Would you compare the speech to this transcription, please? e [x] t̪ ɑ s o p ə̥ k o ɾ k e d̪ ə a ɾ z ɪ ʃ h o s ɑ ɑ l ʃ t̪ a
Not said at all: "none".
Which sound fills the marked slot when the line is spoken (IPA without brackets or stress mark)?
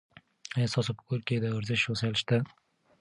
s